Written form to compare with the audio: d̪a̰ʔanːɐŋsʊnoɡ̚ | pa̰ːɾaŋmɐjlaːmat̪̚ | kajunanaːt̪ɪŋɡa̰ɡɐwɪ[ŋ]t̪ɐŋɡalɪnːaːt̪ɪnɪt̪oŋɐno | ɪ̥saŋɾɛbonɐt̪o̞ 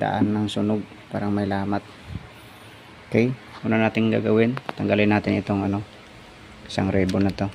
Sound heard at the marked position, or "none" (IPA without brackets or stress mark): n